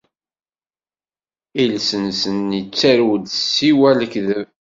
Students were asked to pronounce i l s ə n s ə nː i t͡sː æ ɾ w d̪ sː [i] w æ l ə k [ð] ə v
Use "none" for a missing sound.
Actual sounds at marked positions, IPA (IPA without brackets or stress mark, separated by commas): i, ð